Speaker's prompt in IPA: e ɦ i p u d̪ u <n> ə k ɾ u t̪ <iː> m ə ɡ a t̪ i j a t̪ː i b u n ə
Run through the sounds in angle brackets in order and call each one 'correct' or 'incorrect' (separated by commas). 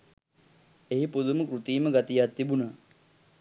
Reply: incorrect, correct